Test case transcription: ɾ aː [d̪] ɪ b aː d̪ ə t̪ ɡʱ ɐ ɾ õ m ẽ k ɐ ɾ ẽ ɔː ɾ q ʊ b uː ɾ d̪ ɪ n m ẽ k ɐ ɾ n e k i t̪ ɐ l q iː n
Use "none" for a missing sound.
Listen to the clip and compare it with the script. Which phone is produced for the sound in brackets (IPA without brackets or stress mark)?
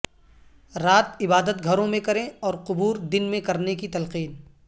t̪